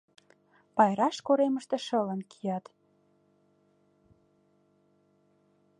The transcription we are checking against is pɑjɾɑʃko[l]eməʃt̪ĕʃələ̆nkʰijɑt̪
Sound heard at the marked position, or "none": ɾ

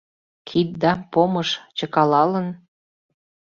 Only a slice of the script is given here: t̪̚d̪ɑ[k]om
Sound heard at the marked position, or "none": p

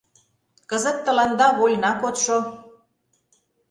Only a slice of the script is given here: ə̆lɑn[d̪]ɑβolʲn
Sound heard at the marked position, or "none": d̪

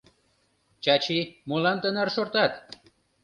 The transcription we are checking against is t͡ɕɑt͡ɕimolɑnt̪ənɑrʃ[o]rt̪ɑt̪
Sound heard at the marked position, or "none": o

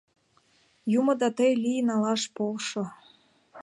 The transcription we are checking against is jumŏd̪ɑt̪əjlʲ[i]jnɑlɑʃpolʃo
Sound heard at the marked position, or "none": i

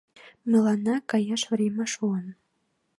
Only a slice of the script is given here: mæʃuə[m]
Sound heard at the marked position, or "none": n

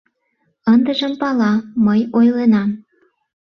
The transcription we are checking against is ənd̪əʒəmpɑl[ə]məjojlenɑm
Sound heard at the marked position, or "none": ɑ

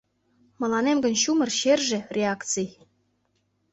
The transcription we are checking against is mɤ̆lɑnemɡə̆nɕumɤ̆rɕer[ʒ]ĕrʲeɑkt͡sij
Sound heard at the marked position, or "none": ʒ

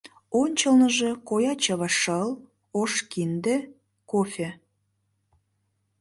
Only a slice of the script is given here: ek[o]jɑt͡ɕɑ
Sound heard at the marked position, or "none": o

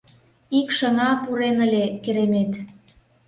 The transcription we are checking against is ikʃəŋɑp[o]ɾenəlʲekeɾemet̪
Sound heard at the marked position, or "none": u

